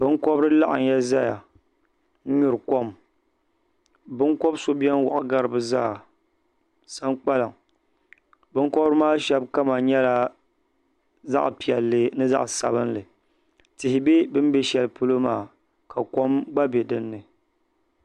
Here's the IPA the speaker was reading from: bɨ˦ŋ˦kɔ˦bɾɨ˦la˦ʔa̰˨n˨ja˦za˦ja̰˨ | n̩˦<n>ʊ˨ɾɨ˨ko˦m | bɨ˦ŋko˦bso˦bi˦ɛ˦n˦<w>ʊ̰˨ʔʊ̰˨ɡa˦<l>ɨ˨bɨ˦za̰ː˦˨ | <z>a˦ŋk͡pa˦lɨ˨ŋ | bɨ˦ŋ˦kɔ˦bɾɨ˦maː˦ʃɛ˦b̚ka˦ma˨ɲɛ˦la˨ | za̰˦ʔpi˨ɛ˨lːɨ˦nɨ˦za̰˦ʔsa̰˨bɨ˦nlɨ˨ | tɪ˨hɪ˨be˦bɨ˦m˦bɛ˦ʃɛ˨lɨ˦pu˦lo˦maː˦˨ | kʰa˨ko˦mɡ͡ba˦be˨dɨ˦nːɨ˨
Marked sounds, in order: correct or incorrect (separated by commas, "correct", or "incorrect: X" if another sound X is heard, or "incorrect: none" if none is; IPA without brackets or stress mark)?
incorrect: ɲ, correct, incorrect: ɾ, incorrect: s